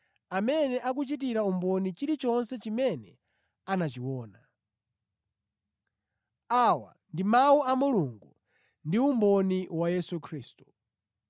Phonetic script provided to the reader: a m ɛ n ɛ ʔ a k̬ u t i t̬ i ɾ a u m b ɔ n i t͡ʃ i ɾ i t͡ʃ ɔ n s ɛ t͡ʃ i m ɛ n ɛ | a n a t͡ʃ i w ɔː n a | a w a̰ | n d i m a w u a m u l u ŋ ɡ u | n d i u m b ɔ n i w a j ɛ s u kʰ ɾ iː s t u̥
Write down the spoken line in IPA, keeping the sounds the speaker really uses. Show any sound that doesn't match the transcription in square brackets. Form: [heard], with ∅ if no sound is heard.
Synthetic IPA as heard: a m ɛ n ɛ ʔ a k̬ u [t͡ʃ] i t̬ i ɾ a u m b ɔ n i t͡ʃ i ɾ i t͡ʃ ɔ n s ɛ t͡ʃ i m ɛ n ɛ | a n a t͡ʃ i w ɔː n a | a w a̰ | n d i m a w u a m u l u ŋ ɡ u | n d i u m b ɔ n i w a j ɛ s u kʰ ɾ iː s t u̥